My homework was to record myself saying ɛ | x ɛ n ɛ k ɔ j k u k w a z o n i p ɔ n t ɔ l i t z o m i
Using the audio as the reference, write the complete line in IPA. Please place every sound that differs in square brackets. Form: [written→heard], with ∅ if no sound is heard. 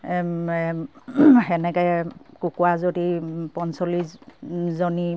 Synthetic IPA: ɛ | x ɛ n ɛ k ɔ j k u k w a z o [n→d] i p ɔ n [t→s] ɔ l i [t→s] z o [m→n] i